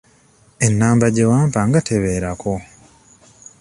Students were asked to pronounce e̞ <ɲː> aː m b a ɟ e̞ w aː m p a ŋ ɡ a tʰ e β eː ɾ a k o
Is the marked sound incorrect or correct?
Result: incorrect